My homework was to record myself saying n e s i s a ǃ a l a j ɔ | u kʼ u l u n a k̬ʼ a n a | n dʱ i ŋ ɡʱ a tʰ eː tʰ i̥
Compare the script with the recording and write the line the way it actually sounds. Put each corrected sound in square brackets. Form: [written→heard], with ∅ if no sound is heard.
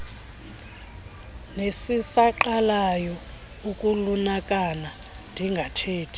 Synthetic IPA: n e s i s a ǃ a l a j ɔ | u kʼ u l u n a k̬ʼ a n a | n dʱ i ŋ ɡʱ a tʰ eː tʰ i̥